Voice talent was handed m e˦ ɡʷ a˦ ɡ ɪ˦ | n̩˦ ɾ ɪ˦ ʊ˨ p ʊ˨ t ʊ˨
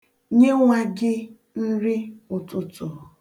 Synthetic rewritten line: ɲ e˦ ŋʷ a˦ ɡ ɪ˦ | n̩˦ ɾ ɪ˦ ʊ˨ t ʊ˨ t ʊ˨